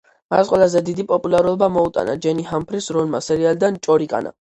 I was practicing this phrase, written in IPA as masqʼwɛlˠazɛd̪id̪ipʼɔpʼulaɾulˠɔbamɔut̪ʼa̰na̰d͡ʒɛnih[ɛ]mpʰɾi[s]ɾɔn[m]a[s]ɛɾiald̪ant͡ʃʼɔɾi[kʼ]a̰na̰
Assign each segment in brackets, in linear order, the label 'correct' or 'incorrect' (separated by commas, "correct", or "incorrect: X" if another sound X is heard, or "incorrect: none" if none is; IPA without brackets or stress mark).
incorrect: a, correct, correct, correct, correct